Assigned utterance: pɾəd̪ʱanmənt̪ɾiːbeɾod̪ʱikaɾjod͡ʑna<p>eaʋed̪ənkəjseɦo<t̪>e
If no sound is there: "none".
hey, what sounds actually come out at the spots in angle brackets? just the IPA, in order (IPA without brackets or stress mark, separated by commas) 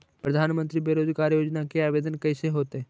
k, t̪